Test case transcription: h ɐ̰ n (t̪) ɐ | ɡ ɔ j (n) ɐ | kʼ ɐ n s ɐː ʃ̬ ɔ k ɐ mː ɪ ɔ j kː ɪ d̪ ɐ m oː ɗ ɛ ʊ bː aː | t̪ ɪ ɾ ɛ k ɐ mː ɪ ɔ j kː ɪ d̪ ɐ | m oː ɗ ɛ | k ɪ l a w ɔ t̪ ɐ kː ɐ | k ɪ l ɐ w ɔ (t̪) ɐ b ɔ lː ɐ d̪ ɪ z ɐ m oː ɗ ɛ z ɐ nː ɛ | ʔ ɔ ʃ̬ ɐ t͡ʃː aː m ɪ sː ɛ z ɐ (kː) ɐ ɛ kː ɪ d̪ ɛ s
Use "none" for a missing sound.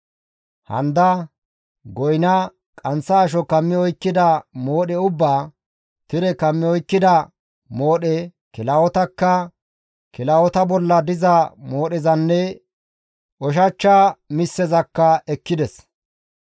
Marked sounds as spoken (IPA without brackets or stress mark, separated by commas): d̪, n, t̪, kː